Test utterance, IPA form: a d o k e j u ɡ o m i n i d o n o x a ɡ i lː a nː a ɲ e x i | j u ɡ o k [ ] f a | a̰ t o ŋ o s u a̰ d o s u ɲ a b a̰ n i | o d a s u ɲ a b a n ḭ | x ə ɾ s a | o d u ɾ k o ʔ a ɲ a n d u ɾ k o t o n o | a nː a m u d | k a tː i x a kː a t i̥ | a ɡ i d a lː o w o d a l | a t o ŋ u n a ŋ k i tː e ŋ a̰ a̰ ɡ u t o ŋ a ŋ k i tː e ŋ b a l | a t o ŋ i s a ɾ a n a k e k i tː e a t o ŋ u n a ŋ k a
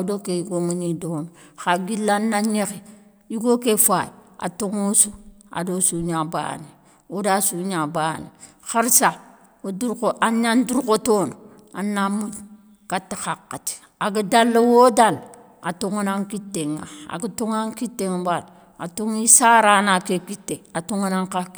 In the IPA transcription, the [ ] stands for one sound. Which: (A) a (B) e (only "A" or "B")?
B